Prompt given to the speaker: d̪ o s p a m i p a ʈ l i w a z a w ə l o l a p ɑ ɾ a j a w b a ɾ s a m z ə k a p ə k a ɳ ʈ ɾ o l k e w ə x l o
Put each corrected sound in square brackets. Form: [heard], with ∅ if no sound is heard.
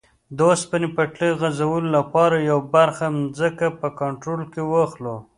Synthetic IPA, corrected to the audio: d̪ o s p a [n] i p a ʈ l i [ɣ] a z a w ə l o l a p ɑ ɾ a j a w b a ɾ [x] a m z ə k a p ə k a ɳ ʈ ɾ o l k e w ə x l o